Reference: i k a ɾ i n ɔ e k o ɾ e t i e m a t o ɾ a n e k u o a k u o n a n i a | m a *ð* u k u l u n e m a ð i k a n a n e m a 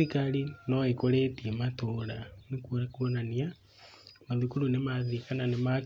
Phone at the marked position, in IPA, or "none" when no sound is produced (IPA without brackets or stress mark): ð